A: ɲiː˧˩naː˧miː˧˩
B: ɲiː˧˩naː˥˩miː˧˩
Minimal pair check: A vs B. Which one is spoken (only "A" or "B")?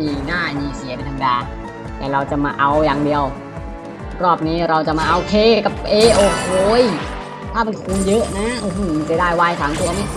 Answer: B